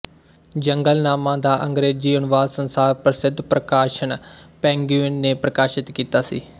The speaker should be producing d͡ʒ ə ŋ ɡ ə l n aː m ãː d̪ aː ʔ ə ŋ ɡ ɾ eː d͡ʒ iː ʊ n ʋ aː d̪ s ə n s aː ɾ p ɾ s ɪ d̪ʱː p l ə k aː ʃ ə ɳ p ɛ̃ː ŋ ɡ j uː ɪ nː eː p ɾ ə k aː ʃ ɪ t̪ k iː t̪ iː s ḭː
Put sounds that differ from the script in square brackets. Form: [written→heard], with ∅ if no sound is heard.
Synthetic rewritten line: d͡ʒ ə ŋ ɡ ə l n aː m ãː d̪ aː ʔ ə ŋ ɡ ɾ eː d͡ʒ iː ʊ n ʋ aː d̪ s ə n s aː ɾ p ɾ s ɪ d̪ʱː p [l→ɾ] ə k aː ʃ ə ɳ p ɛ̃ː ŋ ɡ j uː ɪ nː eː p ɾ ə k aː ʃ ɪ t̪ k iː t̪ [iː→aː] s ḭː